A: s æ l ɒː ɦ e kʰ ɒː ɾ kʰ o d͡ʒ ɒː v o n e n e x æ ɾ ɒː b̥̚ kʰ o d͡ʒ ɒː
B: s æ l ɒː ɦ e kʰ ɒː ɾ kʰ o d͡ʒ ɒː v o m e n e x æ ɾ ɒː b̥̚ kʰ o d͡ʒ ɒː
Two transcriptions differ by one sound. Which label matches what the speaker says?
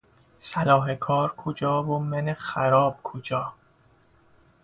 B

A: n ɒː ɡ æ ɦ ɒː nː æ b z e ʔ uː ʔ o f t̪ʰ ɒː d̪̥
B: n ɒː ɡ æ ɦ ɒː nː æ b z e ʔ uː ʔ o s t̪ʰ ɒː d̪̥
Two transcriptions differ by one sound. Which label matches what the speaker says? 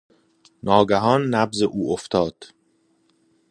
A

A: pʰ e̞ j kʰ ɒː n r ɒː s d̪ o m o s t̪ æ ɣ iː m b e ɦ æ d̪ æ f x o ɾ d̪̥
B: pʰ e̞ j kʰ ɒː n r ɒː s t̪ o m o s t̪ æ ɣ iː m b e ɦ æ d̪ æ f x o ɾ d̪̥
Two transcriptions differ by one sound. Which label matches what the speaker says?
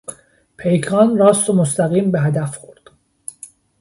B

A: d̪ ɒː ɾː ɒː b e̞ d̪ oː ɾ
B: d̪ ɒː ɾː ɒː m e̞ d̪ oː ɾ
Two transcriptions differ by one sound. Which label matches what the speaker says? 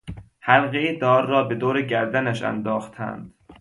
A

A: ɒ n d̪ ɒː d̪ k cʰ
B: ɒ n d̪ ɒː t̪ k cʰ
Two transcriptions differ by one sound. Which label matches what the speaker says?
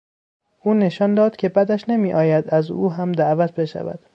A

